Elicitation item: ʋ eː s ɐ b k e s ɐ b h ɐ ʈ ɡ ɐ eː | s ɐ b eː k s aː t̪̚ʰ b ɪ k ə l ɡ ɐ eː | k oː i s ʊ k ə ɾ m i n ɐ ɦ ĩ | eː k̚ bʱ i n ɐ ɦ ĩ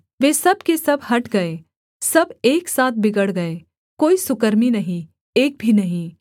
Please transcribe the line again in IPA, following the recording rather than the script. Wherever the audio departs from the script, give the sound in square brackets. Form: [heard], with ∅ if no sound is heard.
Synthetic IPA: ʋ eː s ɐ b k e s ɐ b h ɐ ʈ ɡ ɐ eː | s ɐ b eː k s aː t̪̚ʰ b ɪ [ɡ] ə [ɽ] ɡ ɐ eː | k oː i s ʊ k ə ɾ m i n ɐ ɦ ĩ | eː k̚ bʱ i n ɐ ɦ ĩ